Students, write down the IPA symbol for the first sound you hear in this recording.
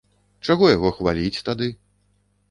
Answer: t͡ʂ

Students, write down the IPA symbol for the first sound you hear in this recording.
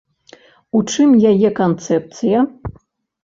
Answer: u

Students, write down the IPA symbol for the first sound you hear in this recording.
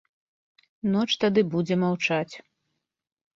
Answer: n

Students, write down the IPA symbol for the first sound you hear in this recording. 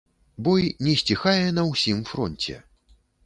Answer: b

